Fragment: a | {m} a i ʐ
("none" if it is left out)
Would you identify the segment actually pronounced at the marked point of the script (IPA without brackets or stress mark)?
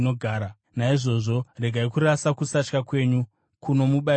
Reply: n